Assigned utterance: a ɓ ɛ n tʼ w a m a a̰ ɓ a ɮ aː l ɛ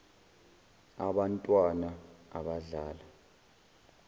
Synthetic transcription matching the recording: a ɓ a n tʼ w a n a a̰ ɓ a ɮ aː l a